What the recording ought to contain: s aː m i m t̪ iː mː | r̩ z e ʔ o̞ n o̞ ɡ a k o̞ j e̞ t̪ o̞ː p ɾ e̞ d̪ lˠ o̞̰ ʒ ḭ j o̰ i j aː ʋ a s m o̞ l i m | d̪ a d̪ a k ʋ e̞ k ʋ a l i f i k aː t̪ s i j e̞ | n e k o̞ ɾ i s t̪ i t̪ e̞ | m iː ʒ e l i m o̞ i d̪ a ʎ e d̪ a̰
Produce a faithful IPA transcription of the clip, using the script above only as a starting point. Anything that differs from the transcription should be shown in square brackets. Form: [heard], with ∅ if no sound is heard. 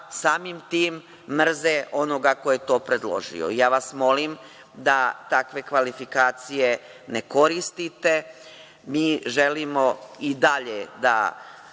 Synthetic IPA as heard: s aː m i m t̪ iː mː | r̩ z e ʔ o̞ n o̞ ɡ a k o̞ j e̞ t̪ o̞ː p ɾ e̞ d̪ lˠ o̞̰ ʒ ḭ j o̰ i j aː ʋ a s m o̞ l i m | d̪ a [t̪] a k ʋ e̞ k ʋ a l i f i k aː t̪ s i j e̞ | n e k o̞ ɾ i s t̪ i t̪ e̞ | m iː ʒ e l i m o̞ i d̪ a ʎ e d̪ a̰